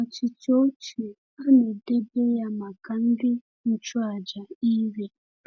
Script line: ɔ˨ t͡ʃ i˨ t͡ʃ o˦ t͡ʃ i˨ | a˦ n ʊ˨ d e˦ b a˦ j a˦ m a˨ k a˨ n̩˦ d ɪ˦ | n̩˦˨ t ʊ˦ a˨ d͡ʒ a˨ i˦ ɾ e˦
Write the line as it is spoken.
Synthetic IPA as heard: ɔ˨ t͡ʃ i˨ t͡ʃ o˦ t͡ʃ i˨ | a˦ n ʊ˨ d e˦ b e˦ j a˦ m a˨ k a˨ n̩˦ d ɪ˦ | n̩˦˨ t͡ʃ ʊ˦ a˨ d͡ʒ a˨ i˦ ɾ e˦